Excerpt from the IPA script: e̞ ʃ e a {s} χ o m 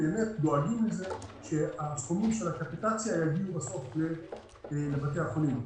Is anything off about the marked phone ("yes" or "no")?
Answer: no